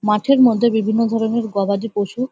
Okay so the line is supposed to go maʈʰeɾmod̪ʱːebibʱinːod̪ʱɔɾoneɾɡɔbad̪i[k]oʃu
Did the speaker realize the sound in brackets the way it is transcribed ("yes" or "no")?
no